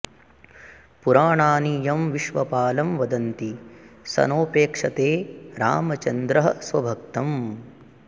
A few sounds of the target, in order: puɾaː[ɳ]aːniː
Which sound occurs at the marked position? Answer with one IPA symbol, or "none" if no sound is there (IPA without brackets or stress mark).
ɳ